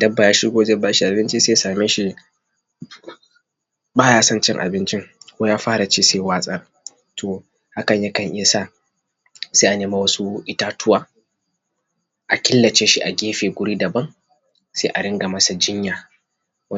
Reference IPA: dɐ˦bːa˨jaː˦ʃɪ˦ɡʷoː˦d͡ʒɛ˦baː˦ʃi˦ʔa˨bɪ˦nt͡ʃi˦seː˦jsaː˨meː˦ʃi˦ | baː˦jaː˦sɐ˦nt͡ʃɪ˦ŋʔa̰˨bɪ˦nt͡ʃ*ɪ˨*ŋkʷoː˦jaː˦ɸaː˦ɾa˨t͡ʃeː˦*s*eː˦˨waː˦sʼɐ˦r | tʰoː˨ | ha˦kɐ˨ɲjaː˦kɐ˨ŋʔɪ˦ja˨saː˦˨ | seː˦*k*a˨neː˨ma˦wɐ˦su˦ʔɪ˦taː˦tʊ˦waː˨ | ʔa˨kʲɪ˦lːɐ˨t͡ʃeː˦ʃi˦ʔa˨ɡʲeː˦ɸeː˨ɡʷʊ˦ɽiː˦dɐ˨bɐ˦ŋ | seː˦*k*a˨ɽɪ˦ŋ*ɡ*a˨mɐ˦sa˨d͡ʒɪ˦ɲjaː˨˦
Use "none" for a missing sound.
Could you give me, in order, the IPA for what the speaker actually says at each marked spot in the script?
ɪ˦, s, ʔ, ʔ, ɡ

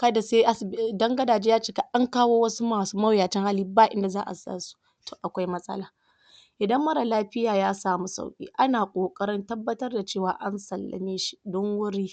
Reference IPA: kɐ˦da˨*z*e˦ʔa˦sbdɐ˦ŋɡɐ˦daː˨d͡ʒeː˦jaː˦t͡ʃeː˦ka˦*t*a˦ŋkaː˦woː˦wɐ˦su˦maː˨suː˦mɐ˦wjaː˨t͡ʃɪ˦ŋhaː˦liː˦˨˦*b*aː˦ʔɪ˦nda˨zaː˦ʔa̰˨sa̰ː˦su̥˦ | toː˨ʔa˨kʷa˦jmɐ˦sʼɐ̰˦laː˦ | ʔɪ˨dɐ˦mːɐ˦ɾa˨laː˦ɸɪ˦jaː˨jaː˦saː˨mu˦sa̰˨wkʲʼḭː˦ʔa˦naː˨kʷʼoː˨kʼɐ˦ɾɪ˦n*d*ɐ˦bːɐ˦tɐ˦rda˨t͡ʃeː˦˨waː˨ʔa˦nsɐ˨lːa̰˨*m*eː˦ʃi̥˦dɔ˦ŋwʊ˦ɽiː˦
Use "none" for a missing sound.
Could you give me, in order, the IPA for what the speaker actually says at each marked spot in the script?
s, ʔ, b, t, m

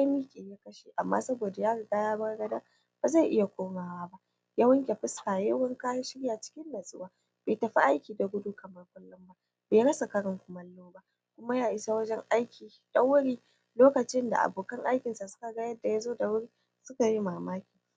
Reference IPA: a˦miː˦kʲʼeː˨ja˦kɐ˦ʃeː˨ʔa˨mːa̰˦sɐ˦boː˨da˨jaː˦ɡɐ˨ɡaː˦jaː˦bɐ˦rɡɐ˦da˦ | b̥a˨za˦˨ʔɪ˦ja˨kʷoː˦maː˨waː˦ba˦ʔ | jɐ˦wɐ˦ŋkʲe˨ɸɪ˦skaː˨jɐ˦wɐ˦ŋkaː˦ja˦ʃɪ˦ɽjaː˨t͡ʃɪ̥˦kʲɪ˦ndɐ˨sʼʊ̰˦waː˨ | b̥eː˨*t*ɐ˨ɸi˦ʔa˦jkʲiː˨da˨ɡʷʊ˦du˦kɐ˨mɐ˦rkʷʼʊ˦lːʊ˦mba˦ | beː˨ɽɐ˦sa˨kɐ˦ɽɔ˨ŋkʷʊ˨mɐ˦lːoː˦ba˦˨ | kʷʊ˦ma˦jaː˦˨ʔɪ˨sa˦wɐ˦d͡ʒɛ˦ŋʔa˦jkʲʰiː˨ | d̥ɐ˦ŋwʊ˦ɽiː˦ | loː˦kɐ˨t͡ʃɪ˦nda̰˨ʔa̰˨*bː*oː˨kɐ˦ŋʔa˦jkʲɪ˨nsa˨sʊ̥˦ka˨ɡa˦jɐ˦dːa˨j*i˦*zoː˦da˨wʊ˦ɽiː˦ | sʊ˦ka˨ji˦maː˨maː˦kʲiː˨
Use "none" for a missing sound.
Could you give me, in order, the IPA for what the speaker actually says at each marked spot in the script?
t, b, a˦

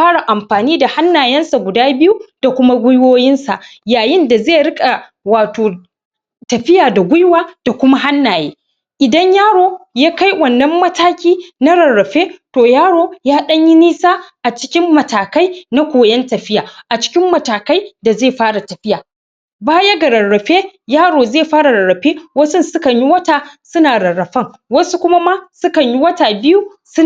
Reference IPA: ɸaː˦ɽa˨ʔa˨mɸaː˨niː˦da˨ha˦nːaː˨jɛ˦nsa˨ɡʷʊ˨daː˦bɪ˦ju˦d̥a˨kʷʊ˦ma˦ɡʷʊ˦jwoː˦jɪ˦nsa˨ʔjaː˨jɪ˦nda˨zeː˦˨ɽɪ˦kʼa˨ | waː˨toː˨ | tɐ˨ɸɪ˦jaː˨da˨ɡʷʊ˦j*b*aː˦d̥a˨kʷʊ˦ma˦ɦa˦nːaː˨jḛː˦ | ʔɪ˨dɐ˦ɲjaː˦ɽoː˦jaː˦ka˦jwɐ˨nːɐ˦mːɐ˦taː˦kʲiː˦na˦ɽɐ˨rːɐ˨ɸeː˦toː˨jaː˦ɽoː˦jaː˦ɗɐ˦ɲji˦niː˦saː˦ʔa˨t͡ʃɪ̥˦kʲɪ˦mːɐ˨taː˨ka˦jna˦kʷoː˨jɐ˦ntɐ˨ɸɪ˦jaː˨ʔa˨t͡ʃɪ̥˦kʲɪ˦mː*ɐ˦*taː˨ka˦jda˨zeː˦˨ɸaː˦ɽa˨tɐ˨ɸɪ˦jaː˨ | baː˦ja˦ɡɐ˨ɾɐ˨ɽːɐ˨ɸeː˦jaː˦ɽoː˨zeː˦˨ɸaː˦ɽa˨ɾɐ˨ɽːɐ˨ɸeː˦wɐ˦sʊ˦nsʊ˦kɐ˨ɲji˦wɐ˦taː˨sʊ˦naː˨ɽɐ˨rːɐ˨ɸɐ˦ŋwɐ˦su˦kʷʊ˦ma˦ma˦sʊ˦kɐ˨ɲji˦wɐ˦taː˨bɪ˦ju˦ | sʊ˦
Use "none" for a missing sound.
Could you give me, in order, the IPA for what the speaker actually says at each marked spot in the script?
w, ɐ˨

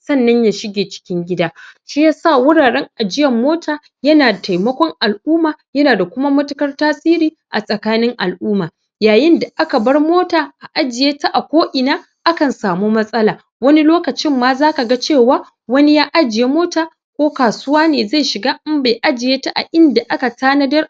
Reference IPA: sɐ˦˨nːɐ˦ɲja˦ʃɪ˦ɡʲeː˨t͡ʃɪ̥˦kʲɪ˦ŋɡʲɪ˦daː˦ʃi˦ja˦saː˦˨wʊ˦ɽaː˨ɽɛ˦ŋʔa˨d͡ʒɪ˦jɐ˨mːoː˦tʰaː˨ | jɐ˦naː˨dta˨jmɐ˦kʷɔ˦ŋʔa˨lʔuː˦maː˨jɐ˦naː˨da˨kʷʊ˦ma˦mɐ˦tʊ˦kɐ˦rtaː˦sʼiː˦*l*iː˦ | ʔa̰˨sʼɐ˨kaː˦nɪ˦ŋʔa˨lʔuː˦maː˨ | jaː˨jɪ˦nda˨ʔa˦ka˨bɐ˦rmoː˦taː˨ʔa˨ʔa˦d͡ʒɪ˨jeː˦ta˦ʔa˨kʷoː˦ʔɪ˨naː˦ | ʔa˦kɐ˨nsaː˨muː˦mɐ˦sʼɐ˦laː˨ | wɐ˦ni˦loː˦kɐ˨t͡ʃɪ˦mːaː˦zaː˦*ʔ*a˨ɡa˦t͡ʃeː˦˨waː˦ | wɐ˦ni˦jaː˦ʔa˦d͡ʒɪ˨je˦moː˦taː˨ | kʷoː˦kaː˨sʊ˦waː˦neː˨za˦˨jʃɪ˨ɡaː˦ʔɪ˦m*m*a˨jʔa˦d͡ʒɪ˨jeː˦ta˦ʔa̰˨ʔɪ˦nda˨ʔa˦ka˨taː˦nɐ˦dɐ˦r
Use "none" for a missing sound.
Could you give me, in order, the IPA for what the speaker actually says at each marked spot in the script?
ɾ, k, b

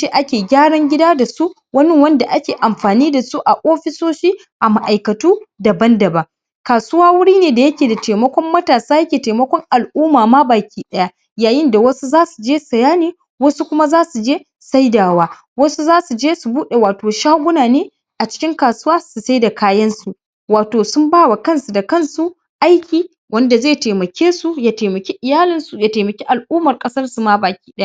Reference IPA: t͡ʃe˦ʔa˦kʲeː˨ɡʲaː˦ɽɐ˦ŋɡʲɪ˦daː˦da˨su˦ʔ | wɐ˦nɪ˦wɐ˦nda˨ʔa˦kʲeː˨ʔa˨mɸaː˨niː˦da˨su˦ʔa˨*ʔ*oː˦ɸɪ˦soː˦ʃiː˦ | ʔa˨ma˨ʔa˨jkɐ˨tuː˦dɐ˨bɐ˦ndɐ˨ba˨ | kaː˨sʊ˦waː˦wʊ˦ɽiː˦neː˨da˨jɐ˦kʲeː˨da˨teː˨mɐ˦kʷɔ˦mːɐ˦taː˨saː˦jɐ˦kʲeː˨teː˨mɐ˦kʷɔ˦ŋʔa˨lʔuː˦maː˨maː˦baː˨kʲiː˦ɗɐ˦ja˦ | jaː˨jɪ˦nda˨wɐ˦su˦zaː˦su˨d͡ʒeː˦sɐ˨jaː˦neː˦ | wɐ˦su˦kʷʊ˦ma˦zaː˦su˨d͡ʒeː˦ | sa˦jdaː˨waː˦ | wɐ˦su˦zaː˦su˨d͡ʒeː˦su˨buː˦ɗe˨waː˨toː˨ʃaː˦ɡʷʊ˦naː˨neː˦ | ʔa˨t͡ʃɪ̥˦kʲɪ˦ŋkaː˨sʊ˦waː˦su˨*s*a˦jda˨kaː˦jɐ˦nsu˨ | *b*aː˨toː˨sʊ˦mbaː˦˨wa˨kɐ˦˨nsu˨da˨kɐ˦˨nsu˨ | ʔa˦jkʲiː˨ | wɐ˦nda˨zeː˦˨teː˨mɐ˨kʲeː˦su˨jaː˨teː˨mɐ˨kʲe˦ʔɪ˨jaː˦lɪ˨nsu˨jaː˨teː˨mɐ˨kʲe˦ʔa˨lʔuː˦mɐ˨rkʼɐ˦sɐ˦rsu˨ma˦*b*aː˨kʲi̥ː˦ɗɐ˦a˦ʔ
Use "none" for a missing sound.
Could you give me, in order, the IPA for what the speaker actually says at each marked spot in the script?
ʔ, s, w, b

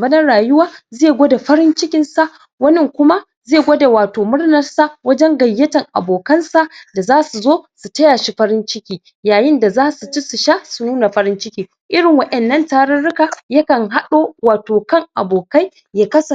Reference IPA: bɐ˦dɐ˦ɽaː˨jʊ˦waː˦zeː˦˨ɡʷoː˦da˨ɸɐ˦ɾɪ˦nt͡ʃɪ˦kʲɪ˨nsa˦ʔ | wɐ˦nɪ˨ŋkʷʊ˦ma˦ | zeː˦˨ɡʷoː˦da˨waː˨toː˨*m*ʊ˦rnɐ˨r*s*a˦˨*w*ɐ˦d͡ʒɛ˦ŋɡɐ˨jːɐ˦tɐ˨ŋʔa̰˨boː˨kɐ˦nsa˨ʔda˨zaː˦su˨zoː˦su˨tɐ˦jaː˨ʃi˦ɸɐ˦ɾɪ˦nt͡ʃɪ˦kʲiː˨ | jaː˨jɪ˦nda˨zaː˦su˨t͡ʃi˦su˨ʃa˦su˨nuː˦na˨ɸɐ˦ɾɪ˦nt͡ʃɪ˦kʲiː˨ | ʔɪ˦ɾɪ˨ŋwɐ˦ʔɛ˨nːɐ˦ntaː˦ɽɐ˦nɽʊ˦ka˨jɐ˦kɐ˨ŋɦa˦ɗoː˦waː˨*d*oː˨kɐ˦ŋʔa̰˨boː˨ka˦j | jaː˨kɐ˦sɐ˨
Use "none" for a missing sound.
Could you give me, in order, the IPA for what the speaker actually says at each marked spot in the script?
m, s, w, t

